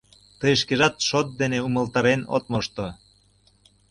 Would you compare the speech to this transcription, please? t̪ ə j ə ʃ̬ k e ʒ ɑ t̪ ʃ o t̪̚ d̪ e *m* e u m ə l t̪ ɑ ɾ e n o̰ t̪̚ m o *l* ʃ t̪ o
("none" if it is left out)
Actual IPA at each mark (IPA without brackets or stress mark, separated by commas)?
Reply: n, none